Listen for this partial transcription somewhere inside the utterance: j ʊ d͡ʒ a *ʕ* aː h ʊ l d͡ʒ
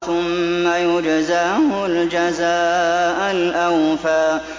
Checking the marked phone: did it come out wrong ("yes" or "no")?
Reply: yes